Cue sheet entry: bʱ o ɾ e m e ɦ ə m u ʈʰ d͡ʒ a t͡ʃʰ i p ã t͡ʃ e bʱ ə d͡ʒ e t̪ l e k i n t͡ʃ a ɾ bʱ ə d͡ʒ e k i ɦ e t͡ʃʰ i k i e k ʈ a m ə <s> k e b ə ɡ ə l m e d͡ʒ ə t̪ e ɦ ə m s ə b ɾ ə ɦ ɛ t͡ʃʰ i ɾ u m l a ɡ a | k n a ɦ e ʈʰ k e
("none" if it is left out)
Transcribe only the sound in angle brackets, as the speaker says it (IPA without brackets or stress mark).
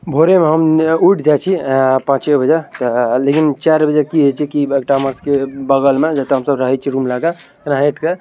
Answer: s